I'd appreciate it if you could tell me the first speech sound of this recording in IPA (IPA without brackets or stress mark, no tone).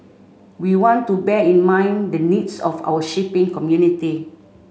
w